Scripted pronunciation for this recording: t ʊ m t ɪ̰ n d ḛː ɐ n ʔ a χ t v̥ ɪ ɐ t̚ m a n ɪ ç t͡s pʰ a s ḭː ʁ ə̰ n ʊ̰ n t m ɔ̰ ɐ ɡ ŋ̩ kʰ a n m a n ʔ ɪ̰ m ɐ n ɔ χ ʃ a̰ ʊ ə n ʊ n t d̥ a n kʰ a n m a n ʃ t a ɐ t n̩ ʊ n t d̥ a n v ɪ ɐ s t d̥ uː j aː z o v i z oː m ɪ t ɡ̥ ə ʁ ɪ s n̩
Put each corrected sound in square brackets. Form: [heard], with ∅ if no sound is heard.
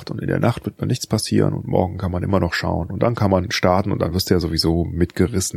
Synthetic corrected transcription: t ʊ [n] t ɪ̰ n d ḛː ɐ n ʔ a χ t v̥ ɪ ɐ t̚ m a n ɪ ç t͡s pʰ a s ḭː ʁ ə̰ n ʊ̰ n t m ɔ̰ ɐ ɡ ŋ̩ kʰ a n m a n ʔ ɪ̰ m ɐ n ɔ χ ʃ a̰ ʊ ə n ʊ n t d̥ a n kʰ a n m a n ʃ t a ɐ t n̩ ʊ n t d̥ a n v ɪ ɐ s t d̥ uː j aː z o v i z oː m ɪ t ɡ̥ ə ʁ ɪ s n̩